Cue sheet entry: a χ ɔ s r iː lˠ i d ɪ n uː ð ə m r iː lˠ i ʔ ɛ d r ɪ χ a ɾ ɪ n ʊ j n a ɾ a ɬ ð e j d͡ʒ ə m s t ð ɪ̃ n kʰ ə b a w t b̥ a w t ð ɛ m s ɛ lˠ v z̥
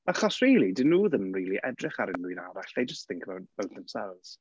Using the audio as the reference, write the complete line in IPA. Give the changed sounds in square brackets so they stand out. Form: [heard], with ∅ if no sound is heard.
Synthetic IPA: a χ ɔ s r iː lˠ i d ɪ n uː ð ə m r iː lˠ i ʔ ɛ d r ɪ χ a ɾ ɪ n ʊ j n a ɾ a ɬ ð e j d͡ʒ ə [∅] s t [θ] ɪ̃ [ŋ] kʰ ə b a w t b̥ a w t ð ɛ m s ɛ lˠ v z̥